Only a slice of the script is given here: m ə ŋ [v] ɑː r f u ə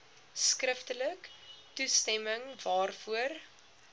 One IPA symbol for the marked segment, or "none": v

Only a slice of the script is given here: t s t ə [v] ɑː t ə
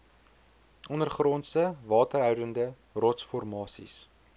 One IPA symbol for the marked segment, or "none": v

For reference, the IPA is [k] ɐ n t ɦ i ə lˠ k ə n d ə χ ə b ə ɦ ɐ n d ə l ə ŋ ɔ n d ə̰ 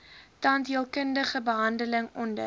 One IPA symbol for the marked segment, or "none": t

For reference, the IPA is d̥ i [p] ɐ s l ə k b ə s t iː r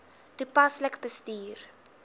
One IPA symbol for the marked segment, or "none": p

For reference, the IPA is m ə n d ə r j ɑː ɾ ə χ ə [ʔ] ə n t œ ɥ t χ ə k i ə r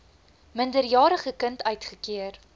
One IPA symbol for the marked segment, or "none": k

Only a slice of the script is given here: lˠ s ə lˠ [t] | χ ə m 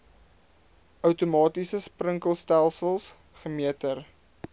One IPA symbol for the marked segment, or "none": s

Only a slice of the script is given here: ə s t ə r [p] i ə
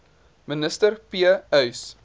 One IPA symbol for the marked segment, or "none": p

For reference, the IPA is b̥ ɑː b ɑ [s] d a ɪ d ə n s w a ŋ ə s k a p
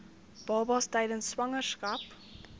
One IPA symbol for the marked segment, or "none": s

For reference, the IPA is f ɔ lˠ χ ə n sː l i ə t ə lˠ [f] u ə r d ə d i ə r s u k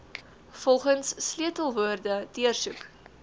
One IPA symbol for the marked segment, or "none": v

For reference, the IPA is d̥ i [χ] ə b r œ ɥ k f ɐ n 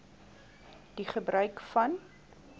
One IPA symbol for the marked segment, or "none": χ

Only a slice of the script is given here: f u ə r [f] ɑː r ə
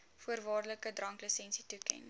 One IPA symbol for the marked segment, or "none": v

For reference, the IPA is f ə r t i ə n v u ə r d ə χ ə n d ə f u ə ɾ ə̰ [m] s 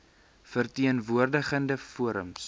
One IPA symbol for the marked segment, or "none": m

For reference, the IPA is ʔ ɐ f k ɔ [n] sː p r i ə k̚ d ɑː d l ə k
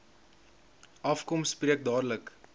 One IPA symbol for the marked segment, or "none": m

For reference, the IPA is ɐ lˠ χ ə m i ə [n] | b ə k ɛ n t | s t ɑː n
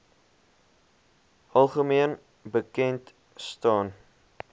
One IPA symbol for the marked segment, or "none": n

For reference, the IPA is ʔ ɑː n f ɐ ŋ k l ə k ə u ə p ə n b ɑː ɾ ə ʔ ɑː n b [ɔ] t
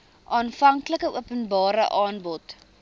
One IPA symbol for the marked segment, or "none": ɔ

